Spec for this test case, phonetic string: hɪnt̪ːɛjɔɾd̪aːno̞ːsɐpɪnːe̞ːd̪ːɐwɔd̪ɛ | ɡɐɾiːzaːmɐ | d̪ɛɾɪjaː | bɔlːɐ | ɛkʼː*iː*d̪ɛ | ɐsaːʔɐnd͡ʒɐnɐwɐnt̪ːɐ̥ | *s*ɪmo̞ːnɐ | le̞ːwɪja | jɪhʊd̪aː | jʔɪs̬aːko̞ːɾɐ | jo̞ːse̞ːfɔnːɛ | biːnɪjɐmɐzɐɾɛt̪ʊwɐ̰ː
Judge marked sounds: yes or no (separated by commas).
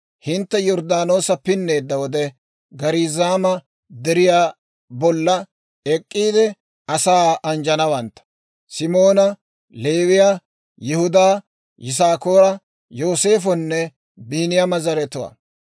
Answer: yes, yes